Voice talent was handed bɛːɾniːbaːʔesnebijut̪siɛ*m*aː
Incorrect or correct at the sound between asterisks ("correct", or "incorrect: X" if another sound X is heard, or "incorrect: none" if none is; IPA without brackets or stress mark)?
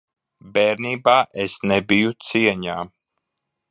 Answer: incorrect: ɲ